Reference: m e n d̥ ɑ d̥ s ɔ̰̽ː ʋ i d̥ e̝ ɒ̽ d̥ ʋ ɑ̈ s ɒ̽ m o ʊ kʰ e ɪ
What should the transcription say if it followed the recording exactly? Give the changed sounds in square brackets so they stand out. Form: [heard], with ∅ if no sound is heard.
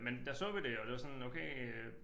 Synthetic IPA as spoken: m e n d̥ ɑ [∅] s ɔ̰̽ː ʋ i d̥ e̝ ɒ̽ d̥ ʋ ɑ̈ s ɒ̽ [n] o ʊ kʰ e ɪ